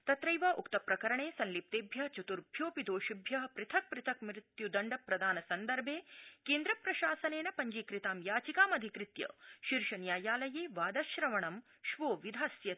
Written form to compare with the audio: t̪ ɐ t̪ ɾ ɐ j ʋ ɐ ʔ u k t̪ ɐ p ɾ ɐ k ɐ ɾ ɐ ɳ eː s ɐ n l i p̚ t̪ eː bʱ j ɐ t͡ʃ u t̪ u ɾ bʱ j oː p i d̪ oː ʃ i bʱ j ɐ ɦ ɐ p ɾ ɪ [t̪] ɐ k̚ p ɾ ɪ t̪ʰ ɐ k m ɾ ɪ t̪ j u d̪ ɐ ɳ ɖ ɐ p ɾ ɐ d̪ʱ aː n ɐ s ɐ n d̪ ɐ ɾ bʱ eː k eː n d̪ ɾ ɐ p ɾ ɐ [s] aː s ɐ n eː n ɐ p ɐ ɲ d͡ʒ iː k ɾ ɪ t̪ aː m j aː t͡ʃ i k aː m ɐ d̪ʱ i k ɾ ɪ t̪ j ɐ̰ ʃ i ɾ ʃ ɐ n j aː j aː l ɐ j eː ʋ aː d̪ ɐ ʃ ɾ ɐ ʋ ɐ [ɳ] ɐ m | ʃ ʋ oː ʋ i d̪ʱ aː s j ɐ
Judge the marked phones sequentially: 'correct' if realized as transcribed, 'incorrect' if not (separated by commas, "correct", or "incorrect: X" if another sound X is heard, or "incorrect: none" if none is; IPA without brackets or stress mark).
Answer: incorrect: t̪ʰ, incorrect: ʃ, correct